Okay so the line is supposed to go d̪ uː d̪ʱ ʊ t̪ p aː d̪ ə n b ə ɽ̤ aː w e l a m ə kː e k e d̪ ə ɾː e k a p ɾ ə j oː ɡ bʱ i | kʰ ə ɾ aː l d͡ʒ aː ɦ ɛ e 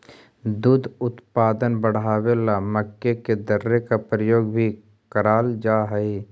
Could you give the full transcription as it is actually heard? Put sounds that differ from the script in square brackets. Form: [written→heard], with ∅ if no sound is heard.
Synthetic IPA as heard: d̪ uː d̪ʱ ʊ t̪ p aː d̪ ə n b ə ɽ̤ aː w e l a m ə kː e k e d̪ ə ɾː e k a p ɾ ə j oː ɡ bʱ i | [kʰ→k] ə ɾ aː l d͡ʒ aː ɦ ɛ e